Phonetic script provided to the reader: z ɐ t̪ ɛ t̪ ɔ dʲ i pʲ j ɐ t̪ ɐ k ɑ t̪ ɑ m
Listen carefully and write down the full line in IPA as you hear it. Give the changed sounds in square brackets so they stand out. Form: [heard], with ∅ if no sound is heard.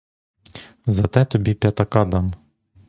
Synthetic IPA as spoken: z ɐ t̪ ɛ t̪ ɔ [bʲ] i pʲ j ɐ t̪ ɐ k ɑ [d̪] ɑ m